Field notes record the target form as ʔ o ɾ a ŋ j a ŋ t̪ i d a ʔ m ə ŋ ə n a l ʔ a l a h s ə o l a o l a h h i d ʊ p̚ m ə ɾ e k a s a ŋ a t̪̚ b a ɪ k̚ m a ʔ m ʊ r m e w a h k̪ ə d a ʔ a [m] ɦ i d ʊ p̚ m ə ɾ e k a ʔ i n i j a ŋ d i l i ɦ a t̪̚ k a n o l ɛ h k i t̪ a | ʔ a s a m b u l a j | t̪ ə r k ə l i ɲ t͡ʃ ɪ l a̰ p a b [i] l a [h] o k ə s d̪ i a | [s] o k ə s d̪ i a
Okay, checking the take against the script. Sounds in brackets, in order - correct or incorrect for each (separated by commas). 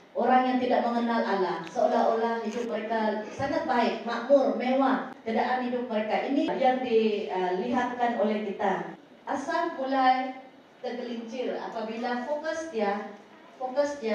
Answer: incorrect, correct, incorrect, incorrect